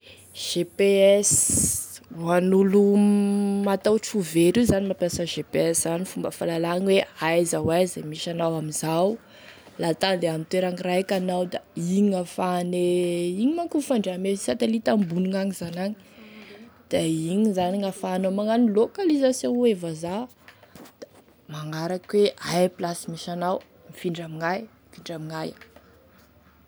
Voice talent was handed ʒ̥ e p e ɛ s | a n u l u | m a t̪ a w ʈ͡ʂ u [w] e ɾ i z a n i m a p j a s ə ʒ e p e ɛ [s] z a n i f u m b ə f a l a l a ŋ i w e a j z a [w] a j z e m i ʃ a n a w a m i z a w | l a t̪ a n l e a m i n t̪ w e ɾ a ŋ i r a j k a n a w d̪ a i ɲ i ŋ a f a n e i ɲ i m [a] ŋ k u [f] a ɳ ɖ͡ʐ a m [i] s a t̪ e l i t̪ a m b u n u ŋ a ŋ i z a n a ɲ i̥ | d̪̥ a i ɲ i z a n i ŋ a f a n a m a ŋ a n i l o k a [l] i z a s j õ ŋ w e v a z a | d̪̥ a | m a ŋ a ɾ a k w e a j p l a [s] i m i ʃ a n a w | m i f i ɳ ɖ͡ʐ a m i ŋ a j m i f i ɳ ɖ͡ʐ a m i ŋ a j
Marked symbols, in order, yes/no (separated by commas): no, yes, yes, yes, yes, no, yes, yes